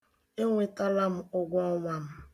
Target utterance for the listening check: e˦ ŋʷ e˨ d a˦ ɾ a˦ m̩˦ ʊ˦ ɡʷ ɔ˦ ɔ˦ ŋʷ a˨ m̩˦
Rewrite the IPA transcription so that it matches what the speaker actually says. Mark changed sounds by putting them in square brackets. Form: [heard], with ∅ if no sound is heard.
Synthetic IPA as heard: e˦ ŋʷ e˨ [t] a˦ [l] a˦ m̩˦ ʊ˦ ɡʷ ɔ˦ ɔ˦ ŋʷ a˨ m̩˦

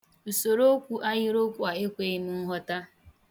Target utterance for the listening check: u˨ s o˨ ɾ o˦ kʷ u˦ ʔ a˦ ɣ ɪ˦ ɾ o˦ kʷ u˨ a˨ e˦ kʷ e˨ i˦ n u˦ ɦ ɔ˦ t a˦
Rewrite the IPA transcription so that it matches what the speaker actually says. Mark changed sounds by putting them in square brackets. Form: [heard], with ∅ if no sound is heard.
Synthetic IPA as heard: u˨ s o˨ ɾ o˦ kʷ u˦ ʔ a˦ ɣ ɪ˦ ɾ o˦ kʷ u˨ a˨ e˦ kʷ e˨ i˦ n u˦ ɦ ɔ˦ t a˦

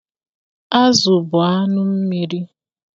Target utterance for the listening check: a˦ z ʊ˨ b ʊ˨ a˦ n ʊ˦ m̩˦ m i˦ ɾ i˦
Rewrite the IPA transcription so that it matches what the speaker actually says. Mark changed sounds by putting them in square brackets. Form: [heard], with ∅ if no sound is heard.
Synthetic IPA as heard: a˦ z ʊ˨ b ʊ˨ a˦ n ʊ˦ m̩˦ m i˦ ɾ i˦

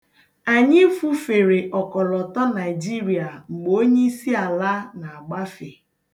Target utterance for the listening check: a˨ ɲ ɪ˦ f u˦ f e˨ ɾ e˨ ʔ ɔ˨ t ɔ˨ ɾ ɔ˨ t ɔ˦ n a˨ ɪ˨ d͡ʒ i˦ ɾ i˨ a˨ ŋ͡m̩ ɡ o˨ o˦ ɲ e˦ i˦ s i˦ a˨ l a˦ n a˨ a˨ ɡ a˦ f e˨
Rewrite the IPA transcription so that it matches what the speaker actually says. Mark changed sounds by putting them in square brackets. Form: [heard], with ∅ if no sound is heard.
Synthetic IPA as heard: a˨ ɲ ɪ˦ f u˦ f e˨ ɾ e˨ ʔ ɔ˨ [k] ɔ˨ [l] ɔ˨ t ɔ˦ n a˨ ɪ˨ d͡ʒ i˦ ɾ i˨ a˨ ŋ͡m̩ [ɡ͡b] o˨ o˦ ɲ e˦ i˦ s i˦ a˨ l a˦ n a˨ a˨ [ɡ͡b] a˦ f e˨

